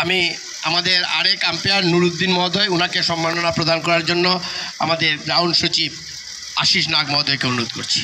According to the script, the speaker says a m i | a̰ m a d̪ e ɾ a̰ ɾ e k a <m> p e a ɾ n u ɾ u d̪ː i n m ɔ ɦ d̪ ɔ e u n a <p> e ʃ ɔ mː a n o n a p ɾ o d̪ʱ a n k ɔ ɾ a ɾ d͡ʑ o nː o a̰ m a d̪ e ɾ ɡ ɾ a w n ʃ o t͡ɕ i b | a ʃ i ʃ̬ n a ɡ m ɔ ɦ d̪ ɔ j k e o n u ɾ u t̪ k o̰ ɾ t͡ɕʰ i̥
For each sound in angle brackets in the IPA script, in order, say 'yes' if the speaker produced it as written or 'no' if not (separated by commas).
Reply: yes, no